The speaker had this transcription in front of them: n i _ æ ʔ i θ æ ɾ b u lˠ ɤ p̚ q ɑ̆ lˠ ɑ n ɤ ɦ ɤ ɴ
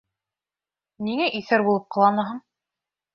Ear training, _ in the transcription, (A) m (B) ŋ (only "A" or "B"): B